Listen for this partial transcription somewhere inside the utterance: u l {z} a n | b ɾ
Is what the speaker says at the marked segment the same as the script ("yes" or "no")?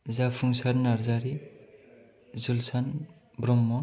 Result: no